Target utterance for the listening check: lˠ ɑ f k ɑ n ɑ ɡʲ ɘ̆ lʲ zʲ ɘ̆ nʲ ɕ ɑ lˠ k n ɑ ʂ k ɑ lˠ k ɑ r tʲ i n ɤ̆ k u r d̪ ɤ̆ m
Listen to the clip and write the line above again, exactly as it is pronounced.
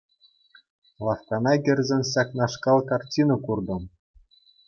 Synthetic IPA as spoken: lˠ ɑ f k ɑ n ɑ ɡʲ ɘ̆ rʲ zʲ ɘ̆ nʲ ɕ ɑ k n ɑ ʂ k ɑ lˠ k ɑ r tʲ i n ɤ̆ k u r d̪ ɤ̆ m